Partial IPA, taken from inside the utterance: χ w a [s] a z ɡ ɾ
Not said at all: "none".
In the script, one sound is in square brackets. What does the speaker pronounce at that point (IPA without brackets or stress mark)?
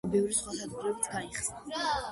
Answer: s